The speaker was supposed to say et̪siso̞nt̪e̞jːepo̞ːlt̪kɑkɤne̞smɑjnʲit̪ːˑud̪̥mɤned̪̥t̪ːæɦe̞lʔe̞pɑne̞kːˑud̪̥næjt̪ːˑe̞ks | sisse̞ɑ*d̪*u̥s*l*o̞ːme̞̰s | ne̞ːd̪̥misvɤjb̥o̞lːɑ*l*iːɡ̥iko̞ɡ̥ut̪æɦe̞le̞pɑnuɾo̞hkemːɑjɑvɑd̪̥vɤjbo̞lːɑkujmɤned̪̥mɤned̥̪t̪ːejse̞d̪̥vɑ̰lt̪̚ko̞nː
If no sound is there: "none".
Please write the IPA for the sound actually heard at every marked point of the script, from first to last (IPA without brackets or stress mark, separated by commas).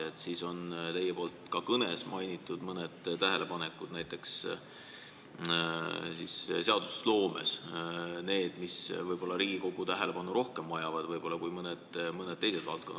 d̪, l, ɾ